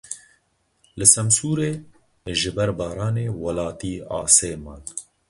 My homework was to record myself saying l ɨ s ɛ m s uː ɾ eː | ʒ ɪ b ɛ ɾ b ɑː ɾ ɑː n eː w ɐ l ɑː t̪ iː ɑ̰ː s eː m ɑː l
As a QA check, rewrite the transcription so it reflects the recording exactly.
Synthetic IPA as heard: l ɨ s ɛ m s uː ɾ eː | ʒ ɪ b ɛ ɾ b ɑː ɾ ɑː n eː w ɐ l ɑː t̪ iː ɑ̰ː s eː m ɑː l